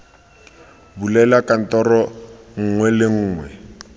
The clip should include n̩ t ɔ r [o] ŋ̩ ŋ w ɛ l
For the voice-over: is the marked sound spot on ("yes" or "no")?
no